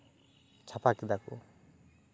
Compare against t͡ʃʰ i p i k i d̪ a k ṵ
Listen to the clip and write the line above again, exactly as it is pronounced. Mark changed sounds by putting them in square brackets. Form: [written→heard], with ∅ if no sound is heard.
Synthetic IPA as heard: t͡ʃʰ [i→a] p [i→a] k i d̪ a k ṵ